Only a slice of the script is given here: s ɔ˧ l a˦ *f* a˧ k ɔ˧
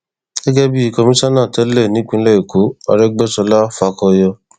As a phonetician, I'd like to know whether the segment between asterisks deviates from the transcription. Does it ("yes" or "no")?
no